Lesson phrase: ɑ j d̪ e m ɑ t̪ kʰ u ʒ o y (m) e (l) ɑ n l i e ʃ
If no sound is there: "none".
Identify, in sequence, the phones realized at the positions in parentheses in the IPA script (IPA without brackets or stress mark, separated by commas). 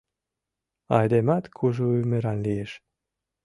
m, ɾ